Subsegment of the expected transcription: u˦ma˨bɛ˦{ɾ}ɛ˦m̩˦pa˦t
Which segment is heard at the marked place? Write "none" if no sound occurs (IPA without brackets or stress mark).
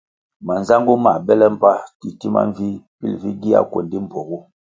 l